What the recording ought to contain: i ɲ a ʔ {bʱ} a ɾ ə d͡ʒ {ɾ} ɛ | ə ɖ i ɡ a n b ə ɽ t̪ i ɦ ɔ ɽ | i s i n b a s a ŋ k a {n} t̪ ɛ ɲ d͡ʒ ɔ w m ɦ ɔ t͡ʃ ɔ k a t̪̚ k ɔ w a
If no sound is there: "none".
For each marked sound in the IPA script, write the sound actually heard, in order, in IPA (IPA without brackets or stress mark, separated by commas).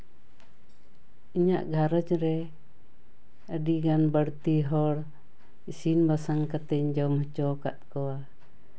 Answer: ɡʱ, ɾ, none